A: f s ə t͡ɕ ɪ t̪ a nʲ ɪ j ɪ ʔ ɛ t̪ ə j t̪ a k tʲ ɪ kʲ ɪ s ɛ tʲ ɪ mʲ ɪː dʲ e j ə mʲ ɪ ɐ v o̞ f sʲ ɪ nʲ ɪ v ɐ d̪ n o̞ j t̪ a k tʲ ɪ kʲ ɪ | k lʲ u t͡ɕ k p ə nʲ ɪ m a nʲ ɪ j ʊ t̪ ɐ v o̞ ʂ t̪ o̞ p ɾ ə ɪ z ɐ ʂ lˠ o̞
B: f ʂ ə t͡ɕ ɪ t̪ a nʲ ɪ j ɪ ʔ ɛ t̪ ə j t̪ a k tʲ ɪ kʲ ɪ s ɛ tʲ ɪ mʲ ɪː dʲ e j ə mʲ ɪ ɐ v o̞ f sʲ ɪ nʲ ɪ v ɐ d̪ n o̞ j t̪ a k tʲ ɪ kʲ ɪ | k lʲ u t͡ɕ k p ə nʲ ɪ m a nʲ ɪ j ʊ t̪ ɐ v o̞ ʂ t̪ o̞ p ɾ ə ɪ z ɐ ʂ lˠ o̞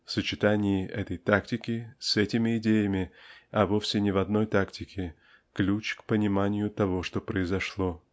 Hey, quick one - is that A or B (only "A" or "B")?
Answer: A